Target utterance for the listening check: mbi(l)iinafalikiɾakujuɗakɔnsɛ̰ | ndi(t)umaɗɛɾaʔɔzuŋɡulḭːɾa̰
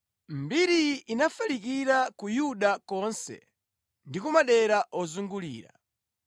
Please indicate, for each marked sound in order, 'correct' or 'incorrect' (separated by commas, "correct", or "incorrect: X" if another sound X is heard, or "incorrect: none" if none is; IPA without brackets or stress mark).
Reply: incorrect: ɾ, incorrect: k